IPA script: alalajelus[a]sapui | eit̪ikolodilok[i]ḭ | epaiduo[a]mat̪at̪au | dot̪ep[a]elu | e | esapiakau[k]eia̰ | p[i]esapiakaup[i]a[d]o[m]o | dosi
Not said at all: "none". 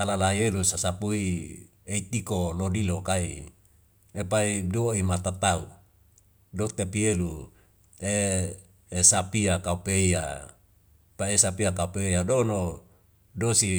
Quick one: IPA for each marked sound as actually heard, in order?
a, a, i, i, p, a, e, d, n

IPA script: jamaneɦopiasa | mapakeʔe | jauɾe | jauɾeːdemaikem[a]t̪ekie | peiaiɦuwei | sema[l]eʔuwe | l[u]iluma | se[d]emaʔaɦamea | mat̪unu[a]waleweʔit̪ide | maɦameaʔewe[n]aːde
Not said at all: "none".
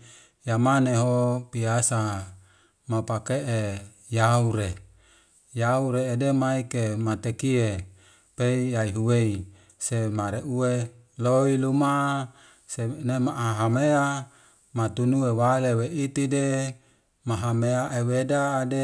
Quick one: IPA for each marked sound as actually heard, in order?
a, ɾ, o, n, e, d

